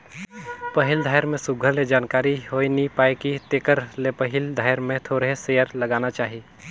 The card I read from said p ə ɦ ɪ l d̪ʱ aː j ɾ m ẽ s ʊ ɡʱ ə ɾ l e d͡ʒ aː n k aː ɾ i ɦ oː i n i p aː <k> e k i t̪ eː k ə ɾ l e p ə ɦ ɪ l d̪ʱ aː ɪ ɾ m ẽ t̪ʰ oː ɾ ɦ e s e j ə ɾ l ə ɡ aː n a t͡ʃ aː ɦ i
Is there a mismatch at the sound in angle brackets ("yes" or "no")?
yes